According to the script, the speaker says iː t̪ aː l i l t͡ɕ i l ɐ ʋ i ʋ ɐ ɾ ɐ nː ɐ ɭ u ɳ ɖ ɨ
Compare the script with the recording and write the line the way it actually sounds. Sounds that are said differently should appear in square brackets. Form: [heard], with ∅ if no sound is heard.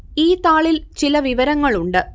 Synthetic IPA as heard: iː t̪ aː [ɭ] i l t͡ɕ i l ɐ ʋ i ʋ ɐ ɾ ɐ [ŋː] ɐ ɭ u ɳ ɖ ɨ